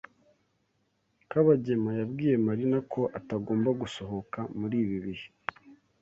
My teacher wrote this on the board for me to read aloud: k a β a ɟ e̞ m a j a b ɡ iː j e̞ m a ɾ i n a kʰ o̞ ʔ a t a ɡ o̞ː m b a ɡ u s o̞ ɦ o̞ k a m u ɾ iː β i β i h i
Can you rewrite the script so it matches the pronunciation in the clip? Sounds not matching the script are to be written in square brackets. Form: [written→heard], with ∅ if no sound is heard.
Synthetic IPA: k a β a ɟ e̞ m a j a b ɡ iː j e̞ m a ɾ i n a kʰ o̞ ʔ a t a ɡ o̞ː m b a ɡ u s o̞ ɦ o̞ k a m u ɾ iː β i β i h i

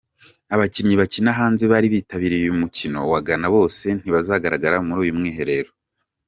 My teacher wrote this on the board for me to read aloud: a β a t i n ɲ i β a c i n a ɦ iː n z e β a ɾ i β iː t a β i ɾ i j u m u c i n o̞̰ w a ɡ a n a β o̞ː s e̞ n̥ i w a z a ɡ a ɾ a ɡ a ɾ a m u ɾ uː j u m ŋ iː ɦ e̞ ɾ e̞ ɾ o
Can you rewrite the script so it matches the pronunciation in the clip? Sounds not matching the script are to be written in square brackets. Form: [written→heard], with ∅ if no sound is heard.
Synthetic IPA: a β a [t→c] i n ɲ i β a c i n a ɦ [iː→aː] n z e β a ɾ i β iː t a β i ɾ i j u m u c i n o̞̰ w a ɡ a n a β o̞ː s e̞ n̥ i [w→β] a z a ɡ a ɾ a ɡ a ɾ a m u ɾ uː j u m ŋ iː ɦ e̞ ɾ e̞ ɾ o

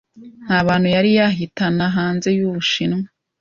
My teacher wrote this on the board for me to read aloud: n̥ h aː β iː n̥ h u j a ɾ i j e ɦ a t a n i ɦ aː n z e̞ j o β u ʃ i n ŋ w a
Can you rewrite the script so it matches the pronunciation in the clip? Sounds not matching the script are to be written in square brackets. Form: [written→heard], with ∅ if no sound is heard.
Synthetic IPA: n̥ h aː β [iː→aː] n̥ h u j a ɾ i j [e→a] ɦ [a→i] t a n [i→a] ɦ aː n z e̞ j [o→u] β u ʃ i n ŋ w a

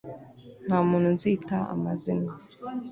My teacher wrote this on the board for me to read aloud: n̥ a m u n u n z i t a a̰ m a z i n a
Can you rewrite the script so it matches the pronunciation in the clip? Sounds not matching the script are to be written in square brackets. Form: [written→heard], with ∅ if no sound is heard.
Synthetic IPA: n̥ a m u n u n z i t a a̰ m a z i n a

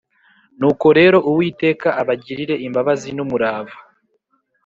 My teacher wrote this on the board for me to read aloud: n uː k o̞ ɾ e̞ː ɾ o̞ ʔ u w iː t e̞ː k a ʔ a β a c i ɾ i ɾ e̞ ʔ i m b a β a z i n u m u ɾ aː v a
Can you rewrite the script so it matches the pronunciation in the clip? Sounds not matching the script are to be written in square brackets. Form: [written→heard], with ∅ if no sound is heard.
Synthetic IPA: n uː k o̞ ɾ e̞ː ɾ o̞ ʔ u w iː t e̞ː k a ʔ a β a [c→ɟ] i ɾ i ɾ e̞ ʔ i m b a β a z i n u m u ɾ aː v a

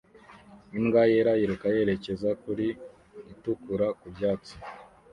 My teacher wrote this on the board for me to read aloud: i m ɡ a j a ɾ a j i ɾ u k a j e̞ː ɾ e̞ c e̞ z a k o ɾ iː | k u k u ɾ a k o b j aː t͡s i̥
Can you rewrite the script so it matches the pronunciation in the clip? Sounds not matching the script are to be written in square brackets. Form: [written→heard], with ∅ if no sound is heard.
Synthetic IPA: i m ɡ a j [a→e] ɾ a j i ɾ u k a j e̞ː ɾ e̞ c e̞ z a k [o→u] ɾ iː | [k→t] u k u ɾ a k [o→u] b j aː t͡s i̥

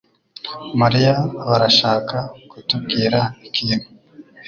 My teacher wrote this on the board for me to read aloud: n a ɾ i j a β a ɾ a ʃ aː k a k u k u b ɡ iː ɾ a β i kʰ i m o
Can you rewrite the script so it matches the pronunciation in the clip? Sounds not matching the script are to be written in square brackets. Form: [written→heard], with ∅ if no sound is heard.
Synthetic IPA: [n→m] a ɾ i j a β a ɾ a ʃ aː k a k u [k→t] u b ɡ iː ɾ a [β→∅] i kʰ i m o

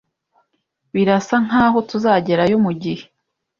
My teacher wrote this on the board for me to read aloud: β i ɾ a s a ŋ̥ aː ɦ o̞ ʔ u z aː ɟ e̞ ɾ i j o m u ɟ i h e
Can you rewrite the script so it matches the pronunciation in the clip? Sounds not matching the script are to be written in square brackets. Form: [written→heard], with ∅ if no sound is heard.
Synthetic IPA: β i ɾ a s a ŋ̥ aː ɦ o̞ [ʔ→t] u z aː ɟ e̞ ɾ [i→a] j o m u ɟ i h e

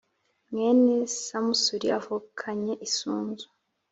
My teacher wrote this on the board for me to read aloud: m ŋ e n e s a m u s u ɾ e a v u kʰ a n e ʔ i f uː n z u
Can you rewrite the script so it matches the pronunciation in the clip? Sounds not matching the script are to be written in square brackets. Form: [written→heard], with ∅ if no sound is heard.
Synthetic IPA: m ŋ e n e s a m u s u ɾ [e→i] a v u kʰ a [n→ɲ] e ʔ i [f→s] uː n z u

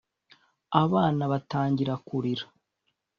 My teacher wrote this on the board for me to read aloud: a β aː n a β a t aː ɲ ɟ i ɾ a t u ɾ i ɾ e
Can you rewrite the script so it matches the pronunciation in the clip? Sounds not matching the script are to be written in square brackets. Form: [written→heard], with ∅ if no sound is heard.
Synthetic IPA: a β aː n a β a t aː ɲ ɟ i ɾ a [t→k] u ɾ i ɾ [e→a]

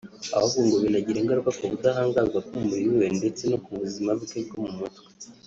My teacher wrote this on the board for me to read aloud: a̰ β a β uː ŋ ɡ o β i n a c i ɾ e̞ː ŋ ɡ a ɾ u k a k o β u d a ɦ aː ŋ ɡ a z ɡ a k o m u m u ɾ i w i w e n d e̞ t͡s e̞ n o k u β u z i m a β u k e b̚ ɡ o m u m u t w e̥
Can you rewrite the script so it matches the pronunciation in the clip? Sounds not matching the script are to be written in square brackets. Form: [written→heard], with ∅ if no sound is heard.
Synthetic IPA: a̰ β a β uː ŋ ɡ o β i n a [c→ɟ] i ɾ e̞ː ŋ ɡ a ɾ u k a k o β u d a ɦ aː ŋ ɡ a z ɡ a k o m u m u ɾ i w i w e n d e̞ t͡s e̞ n o k u β u z i m a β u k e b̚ ɡ o m u m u t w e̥

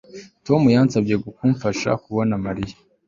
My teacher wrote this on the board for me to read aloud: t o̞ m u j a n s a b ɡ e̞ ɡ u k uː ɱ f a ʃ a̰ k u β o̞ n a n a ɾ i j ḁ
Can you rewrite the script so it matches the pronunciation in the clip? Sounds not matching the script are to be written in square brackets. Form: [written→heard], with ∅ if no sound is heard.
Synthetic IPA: t o̞ m u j a n s a b [ɡ→ɟ] e̞ ɡ u k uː ɱ f a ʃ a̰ k u β o̞ n a [n→m] a ɾ i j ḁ

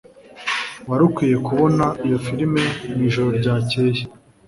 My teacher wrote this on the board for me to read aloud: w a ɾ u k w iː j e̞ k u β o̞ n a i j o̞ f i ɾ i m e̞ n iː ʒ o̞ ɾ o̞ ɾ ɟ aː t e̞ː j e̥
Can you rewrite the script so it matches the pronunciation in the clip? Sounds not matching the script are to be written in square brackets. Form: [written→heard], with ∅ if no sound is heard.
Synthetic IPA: w a ɾ u k w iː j e̞ k u β o̞ n a i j o̞ f i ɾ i m e̞ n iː ʒ o̞ ɾ o̞ ɾ ɟ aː [t→c] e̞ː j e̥

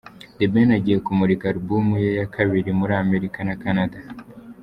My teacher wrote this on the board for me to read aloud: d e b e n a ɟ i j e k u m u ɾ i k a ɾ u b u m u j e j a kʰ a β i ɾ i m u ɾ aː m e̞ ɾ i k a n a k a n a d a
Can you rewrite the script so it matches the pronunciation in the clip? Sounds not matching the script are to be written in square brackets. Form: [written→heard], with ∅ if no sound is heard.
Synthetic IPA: d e b e n a ɟ i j e k u m u ɾ i k a ɾ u b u m u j e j a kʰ a β i ɾ i m u ɾ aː m e̞ ɾ i k a n a k a n a d a

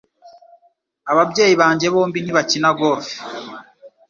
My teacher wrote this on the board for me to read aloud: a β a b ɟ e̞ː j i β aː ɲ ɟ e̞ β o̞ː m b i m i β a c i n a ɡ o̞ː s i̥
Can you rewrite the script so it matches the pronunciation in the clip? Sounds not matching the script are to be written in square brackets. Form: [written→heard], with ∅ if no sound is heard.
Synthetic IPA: a β a b ɟ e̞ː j i β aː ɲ ɟ e̞ β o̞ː m b i [m→n] i β a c i n a ɡ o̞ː [s→f] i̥

